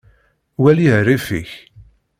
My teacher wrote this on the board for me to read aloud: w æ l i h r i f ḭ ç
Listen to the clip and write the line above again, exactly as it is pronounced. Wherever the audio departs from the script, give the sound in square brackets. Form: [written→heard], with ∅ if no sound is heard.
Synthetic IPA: w æ l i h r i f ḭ ç